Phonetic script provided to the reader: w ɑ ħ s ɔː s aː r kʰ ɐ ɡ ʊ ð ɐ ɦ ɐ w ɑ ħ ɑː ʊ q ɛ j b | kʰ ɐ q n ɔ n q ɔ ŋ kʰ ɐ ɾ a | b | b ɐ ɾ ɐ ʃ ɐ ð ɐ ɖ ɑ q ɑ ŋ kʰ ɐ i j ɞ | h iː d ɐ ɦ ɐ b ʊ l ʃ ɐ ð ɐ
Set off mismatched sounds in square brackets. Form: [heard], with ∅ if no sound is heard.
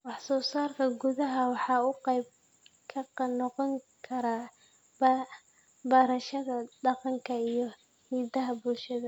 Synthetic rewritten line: w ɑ ħ s ɔː s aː r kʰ ɐ ɡ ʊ ð ɐ ɦ ɐ w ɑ ħ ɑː ʊ q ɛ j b | kʰ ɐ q n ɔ [∅] q ɔ ŋ kʰ ɐ ɾ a | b | b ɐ ɾ ɐ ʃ ɐ ð ɐ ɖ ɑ q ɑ ŋ kʰ ɐ i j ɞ | h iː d ɐ ɦ ɐ b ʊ l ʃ ɐ ð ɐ